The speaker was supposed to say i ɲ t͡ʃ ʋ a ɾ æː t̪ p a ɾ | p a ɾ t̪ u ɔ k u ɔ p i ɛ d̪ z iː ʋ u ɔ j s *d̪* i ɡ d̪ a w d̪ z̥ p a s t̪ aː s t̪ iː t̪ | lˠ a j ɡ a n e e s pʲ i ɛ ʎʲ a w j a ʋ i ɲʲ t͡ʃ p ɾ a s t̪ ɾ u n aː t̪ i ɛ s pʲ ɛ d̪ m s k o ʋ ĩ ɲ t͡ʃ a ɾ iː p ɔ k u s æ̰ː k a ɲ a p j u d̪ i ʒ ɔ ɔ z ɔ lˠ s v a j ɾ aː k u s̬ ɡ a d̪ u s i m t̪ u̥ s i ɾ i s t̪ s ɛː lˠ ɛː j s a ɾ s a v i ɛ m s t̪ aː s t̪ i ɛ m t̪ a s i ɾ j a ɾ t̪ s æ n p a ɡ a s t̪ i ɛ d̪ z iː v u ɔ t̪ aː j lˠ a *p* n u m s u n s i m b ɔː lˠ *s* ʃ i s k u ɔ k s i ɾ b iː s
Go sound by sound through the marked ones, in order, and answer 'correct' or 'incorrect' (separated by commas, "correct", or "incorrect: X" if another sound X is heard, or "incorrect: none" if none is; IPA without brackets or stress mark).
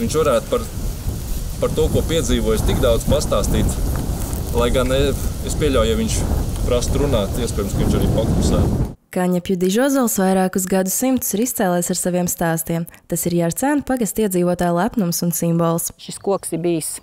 incorrect: t̪, correct, correct